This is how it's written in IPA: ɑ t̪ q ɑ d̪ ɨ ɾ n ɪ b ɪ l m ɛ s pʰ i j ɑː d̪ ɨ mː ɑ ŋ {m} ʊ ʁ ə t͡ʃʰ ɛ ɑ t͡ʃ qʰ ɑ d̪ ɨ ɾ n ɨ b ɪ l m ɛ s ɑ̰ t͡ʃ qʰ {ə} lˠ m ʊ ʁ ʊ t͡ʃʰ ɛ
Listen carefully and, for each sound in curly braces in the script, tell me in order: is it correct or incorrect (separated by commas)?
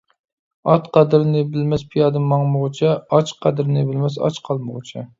correct, incorrect